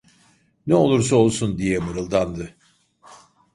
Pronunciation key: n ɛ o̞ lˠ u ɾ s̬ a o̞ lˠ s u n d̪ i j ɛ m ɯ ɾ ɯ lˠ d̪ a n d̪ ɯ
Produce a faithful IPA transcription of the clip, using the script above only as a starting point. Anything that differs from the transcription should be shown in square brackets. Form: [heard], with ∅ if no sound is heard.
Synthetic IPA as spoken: n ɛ o̞ lˠ u ɾ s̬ a o̞ lˠ s u n d̪ i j ɛ m ɯ ɾ ɯ lˠ d̪ a n d̪ ɯ